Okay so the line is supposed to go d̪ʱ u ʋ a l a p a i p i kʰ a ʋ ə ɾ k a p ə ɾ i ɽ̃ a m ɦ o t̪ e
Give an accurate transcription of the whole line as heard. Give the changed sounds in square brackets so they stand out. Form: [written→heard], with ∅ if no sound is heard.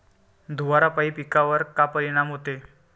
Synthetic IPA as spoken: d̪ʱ u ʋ a [l→ɾ] a p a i p i [kʰ→k] a ʋ ə ɾ k a p ə ɾ i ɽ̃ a m ɦ o t̪ e